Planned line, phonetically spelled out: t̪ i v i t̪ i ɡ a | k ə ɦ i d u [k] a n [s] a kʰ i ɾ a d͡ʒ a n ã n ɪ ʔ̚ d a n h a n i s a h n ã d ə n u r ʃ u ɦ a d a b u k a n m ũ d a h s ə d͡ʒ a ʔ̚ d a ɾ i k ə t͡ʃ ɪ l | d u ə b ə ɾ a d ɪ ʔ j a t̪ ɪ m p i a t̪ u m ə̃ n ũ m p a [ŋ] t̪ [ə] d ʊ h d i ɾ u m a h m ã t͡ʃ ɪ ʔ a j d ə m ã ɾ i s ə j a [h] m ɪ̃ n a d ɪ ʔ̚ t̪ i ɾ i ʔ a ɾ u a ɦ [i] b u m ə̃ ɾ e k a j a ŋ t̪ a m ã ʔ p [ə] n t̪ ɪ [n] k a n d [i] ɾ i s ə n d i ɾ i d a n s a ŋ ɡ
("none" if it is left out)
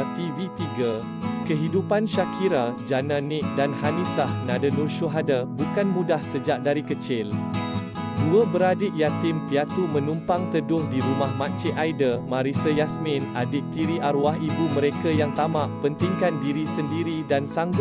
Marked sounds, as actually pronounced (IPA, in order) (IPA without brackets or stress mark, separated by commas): p, ʃ, ŋ, ə, s, i, ə, ŋ, i